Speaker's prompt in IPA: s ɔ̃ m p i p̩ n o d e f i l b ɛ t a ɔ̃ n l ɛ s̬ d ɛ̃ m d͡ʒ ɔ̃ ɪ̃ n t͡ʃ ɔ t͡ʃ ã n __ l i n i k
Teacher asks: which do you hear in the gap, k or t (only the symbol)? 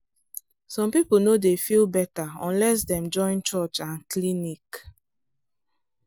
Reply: k